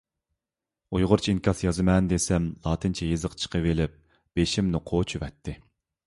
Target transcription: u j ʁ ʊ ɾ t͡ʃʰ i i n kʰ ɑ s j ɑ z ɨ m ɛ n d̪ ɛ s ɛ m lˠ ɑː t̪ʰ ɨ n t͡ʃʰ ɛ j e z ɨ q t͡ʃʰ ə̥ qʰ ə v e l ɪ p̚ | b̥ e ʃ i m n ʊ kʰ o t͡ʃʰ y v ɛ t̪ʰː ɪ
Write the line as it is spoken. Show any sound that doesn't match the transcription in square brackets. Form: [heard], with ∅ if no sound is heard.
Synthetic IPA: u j ʁ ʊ ɾ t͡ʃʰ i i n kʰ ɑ s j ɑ z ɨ m ɛ n d̪ [e] s ɛ m lˠ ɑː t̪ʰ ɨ n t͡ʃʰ ɛ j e z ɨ q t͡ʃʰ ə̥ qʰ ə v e l ɪ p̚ | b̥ e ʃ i m n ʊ [qʰ] o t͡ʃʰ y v ɛ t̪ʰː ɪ